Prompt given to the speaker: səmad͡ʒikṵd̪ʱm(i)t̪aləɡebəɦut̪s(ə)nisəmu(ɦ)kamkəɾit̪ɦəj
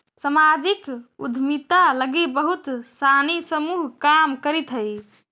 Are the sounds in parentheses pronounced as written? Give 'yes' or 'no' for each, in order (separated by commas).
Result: yes, no, yes